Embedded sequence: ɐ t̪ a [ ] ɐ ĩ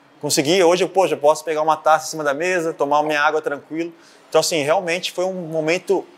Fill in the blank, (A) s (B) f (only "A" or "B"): A